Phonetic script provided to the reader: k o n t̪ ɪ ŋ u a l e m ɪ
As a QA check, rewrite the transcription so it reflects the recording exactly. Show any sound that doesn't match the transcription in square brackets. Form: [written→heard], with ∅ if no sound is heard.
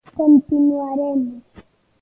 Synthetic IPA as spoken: k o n t̪ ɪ [ŋ→n] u a [l→ɾ] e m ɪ